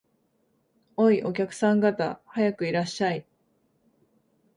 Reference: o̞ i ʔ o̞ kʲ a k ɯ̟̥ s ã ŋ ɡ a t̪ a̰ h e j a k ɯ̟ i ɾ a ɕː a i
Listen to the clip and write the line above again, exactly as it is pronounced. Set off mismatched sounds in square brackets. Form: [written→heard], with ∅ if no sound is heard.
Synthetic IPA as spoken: o̞ i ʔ o̞ kʲ a k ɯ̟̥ s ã ŋ ɡ a t̪ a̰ h [e→a] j a k ɯ̟ i ɾ a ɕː a i